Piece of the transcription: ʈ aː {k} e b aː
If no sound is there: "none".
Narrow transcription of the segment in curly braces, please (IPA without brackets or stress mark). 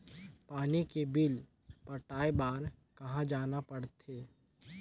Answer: none